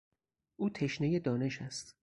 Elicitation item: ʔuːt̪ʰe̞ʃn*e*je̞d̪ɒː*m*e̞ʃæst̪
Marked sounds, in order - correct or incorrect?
correct, incorrect: n

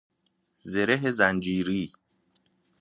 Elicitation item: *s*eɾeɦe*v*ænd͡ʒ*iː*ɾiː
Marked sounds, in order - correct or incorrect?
incorrect: z, incorrect: z, correct

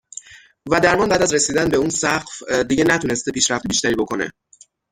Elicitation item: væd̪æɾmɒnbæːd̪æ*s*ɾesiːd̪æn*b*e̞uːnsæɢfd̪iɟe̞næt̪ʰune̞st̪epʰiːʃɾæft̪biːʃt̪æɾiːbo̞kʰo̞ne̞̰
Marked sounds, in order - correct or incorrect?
incorrect: z, correct

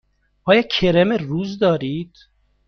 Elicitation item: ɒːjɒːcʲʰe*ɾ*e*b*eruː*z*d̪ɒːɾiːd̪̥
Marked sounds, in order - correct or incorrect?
correct, incorrect: m, correct

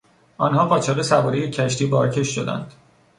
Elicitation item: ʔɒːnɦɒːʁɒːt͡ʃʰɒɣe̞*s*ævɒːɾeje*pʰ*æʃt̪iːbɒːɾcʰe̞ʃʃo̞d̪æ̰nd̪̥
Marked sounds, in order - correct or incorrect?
correct, incorrect: cʰ

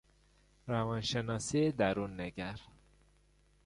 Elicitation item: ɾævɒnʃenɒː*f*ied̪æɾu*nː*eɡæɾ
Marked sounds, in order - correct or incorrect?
incorrect: s, correct

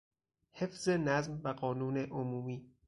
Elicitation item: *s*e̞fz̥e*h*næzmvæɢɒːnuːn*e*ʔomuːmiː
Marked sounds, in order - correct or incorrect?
incorrect: h, incorrect: none, correct

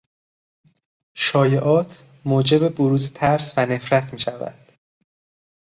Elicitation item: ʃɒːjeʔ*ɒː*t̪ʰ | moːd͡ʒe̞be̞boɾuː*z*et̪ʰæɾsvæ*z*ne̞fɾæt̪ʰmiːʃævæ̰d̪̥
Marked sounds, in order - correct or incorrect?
correct, correct, incorrect: none

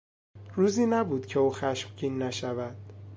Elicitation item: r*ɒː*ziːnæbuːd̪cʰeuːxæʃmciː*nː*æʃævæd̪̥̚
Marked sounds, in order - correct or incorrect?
incorrect: uː, correct

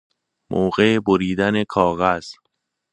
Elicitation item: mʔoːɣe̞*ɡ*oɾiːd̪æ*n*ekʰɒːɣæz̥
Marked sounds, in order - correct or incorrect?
incorrect: b, correct

